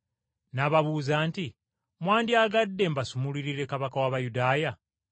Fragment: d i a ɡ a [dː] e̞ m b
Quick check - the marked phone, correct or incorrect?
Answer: correct